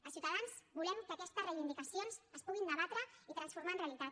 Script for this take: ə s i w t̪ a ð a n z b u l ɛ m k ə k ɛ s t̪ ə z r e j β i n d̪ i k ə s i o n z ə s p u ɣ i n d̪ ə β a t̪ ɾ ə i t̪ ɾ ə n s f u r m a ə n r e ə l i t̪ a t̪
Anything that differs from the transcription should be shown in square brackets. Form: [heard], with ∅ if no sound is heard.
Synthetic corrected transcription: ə s i w t̪ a ð a n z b u l ɛ m k ə k ɛ s t̪ ə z r e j β i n d̪ i k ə s i o n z ə s p u ɣ i n d̪ ə β a t̪ ɾ ə i t̪ ɾ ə n s f u [ɾ] m a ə n r e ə l i t̪ a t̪